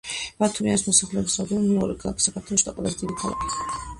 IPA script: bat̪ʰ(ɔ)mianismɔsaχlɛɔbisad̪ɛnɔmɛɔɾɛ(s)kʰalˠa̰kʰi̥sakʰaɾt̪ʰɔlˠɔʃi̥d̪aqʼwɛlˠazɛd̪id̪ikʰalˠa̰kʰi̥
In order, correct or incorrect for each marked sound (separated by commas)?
incorrect, incorrect